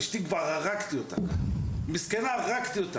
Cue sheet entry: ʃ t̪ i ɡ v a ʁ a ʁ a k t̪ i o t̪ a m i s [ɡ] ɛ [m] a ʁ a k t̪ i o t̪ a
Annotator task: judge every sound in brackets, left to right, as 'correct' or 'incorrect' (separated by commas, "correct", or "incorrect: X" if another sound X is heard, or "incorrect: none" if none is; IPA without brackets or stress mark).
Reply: incorrect: k, incorrect: n